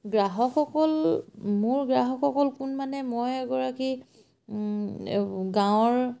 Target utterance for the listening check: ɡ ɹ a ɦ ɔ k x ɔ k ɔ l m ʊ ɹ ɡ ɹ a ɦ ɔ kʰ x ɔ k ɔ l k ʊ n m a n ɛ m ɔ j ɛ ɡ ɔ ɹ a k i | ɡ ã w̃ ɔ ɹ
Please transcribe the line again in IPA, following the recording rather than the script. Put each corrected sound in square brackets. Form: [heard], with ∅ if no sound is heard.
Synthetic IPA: ɡ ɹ a ɦ ɔ k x ɔ k ɔ l m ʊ ɹ ɡ ɹ a ɦ ɔ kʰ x ɔ k ɔ l k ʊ n m a n ɛ m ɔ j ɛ ɡ ɔ ɹ a k i | ɡ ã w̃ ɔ ɹ